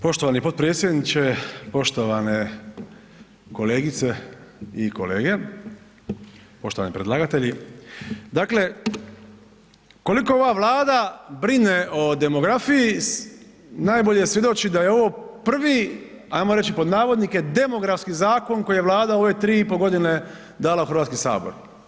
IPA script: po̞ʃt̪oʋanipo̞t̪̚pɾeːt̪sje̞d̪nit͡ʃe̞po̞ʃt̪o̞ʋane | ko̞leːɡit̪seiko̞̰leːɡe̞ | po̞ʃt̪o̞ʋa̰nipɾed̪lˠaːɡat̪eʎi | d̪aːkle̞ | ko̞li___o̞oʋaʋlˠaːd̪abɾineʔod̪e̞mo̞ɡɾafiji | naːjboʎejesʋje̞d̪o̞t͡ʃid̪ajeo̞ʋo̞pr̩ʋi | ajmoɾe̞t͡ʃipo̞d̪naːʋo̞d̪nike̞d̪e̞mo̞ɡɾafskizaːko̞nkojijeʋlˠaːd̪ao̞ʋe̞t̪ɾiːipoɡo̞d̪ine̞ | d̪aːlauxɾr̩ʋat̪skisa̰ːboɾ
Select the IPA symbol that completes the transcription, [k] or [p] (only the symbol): k